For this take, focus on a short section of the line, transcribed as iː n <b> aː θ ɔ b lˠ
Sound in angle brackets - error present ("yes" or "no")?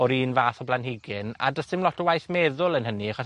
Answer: yes